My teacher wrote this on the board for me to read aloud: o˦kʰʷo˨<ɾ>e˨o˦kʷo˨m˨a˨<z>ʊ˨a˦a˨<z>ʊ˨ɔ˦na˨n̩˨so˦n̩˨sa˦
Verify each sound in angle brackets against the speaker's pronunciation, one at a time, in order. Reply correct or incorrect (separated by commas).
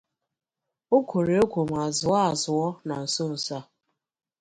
correct, correct, correct